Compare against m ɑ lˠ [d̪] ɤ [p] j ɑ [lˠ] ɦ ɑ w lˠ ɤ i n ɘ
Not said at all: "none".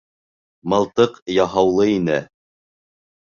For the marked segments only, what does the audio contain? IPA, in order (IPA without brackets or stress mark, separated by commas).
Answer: t̪, q, none